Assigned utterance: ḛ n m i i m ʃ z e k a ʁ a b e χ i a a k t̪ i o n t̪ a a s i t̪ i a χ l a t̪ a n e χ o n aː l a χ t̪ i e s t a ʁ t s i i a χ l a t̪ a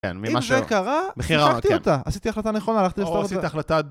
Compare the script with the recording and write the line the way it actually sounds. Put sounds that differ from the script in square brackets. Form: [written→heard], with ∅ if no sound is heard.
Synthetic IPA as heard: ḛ n m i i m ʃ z e k a ʁ a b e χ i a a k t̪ i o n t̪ a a s i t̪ i a χ l a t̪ a n e χ o n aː l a χ t̪ i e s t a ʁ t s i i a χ l a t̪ a